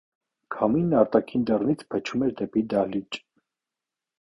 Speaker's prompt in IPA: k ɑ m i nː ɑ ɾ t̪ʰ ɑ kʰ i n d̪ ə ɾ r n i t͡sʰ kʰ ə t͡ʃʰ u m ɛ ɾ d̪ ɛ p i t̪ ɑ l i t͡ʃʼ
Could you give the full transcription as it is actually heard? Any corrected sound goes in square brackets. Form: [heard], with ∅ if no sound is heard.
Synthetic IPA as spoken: [kʰ] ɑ m i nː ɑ ɾ [t̪] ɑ kʰ i n d̪ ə [∅] r n i t͡sʰ [pʰ] ə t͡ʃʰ u m ɛ ɾ d̪ ɛ p i [d̪] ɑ l i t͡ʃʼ